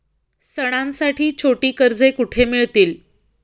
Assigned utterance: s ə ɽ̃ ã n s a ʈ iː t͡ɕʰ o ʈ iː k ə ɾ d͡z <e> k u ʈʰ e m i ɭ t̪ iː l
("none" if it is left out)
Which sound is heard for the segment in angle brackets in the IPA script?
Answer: e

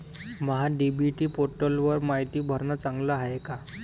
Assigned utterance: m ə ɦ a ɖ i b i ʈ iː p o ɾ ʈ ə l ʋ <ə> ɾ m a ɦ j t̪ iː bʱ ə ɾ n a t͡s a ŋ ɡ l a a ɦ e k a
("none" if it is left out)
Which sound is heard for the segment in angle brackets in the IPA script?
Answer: ə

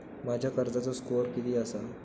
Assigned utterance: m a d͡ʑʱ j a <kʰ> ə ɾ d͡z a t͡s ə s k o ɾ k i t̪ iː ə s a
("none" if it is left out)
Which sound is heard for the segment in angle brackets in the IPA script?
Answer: k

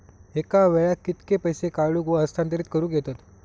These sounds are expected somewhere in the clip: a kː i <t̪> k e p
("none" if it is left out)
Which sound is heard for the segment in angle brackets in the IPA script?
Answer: t̪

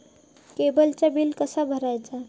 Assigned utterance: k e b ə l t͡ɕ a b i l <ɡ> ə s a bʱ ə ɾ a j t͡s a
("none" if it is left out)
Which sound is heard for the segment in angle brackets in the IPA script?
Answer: k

